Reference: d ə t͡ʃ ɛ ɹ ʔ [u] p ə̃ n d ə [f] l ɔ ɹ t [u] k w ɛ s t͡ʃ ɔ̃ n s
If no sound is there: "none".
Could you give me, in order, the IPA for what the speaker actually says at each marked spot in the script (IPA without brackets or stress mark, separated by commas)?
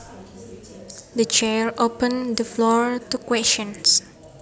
o, f, u